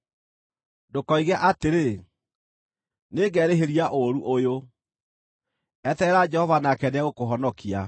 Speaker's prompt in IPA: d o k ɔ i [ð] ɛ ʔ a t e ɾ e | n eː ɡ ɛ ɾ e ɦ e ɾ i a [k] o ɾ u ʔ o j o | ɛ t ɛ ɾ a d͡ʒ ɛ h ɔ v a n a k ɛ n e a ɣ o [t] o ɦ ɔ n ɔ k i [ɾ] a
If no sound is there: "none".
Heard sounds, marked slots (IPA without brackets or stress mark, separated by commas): ɣ, ʔ, k, none